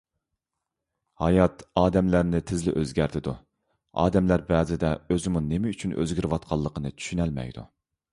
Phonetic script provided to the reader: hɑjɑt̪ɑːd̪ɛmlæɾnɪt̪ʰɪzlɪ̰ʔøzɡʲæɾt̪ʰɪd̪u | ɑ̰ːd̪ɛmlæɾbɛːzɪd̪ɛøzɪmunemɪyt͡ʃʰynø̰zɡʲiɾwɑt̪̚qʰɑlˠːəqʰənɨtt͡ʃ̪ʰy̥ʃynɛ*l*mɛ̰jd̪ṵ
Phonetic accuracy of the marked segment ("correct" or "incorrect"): correct